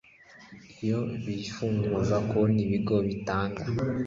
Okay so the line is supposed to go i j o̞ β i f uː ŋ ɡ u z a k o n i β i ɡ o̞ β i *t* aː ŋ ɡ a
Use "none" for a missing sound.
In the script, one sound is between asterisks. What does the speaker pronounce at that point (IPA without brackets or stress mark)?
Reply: t